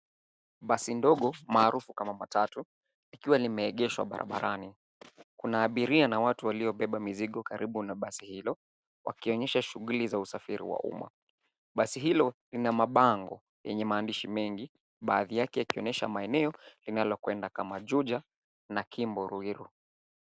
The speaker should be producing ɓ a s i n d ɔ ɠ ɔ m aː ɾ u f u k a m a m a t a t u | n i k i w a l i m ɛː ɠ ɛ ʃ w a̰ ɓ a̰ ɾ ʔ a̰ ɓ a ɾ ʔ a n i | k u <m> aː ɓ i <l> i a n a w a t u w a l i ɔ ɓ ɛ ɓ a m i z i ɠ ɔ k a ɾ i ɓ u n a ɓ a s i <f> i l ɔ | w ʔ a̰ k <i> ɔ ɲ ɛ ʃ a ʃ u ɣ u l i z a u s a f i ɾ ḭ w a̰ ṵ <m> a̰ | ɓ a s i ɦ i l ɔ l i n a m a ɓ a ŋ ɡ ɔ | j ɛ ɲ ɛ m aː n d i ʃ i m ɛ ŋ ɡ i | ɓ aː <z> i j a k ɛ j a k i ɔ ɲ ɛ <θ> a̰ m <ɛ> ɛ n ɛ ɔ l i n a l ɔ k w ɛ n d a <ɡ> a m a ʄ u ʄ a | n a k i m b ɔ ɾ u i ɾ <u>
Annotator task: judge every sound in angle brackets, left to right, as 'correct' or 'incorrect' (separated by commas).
incorrect, incorrect, incorrect, correct, correct, incorrect, incorrect, incorrect, incorrect, correct